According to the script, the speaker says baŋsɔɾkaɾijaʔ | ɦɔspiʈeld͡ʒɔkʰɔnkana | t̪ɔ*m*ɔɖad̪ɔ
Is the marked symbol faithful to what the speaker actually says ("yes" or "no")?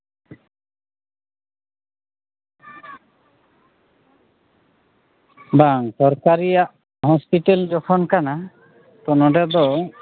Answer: no